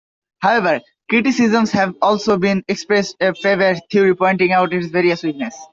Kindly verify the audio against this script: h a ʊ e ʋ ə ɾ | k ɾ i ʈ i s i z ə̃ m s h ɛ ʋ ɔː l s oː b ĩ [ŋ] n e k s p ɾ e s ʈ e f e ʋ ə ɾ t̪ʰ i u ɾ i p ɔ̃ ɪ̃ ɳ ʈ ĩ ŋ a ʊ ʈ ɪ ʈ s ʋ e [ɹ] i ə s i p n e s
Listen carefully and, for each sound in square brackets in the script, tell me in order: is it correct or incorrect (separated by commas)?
incorrect, incorrect